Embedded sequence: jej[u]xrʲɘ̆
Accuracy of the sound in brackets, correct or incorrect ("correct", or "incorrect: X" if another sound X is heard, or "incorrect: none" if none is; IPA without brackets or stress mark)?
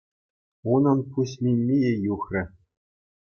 correct